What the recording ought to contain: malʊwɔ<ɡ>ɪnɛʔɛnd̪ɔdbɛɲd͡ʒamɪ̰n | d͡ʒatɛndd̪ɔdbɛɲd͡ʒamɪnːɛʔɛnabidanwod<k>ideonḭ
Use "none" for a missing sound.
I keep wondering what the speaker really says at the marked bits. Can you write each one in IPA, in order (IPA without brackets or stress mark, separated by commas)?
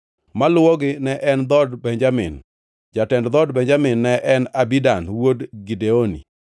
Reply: ɡ, ɡ